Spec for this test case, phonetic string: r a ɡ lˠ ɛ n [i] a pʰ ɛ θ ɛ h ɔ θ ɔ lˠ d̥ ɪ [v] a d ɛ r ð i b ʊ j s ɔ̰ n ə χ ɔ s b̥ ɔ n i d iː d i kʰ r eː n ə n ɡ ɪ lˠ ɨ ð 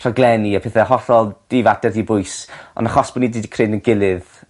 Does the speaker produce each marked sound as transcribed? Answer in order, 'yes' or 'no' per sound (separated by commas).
yes, yes